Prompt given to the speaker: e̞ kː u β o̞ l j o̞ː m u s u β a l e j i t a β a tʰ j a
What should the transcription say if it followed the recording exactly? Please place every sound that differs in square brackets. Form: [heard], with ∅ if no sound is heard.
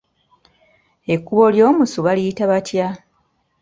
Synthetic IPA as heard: e̞ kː u β o̞ l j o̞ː m u s u β a l [i] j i t a β a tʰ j a